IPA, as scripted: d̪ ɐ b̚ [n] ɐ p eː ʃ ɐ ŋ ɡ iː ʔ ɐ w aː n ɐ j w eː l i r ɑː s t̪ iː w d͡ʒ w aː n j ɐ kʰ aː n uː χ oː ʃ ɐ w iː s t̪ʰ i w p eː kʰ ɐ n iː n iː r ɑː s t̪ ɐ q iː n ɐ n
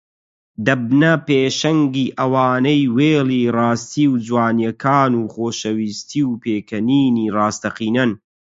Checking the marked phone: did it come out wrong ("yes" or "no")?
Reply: no